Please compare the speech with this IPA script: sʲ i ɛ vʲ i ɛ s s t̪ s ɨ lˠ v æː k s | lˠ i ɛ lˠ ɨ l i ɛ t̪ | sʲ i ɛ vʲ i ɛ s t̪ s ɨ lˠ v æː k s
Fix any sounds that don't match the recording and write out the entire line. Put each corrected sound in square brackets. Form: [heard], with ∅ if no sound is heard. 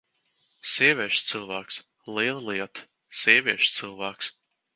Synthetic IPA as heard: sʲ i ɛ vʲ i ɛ [ʃ] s t̪ s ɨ lˠ v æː k s | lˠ i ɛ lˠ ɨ l i ɛ t̪ | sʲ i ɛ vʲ i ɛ [ʃ] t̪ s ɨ lˠ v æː k s